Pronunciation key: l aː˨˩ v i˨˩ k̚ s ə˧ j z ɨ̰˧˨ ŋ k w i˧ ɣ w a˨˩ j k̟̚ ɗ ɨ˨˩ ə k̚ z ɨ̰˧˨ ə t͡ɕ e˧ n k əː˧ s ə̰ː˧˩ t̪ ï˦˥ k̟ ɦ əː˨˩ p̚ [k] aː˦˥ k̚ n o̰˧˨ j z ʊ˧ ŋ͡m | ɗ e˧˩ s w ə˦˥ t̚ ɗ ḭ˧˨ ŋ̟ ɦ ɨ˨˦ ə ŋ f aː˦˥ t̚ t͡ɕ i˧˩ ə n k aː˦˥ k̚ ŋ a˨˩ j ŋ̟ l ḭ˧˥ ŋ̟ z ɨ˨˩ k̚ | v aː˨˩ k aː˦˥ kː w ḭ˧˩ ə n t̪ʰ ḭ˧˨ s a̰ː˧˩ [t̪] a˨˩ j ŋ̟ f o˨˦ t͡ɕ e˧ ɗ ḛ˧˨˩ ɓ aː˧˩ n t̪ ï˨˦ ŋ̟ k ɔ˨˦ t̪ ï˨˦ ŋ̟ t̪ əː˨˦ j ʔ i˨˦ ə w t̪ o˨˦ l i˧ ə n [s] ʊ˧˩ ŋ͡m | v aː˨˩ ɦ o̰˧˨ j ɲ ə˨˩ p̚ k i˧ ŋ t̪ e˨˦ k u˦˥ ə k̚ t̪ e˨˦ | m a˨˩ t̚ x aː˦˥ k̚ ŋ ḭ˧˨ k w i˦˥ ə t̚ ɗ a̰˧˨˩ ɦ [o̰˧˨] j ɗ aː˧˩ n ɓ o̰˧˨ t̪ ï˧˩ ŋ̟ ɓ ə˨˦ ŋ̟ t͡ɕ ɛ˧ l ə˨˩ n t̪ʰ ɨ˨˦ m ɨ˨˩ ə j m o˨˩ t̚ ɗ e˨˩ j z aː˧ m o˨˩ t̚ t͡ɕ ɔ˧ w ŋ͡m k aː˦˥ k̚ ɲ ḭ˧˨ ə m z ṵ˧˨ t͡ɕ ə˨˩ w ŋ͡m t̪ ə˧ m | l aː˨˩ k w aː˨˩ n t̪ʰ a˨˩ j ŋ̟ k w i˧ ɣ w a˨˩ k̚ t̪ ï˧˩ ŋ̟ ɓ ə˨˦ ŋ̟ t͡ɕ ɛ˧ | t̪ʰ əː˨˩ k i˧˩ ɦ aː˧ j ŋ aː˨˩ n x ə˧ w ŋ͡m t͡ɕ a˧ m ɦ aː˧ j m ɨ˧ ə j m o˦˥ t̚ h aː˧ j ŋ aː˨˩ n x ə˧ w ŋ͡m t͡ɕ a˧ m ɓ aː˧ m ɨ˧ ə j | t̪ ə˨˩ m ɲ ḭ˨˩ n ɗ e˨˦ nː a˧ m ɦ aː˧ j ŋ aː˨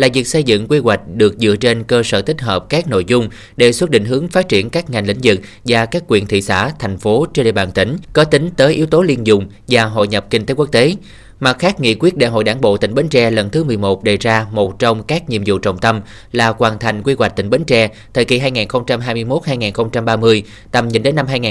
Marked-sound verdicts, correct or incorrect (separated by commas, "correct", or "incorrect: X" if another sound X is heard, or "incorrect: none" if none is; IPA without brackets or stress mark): correct, incorrect: t̪ʰ, incorrect: z, correct